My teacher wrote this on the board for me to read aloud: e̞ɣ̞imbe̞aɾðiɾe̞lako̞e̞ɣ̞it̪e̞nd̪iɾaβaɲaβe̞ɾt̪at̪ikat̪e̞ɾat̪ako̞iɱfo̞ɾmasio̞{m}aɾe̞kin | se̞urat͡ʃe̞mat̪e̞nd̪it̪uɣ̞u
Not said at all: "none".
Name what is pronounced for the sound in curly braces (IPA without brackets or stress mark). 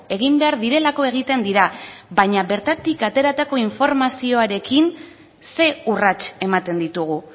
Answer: none